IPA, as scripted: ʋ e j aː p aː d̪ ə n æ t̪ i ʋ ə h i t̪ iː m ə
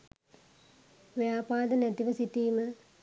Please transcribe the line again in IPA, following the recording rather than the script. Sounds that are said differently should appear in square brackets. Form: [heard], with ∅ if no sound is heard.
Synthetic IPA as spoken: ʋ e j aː p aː d̪ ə n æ t̪ i ʋ ə [s] i t̪ iː m ə

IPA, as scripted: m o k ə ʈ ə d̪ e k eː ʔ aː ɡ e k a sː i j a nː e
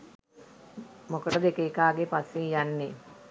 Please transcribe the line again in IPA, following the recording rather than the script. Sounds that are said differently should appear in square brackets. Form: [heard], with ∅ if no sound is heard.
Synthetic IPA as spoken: m o k ə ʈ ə d̪ e k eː [k] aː ɡ e [p] a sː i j a nː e

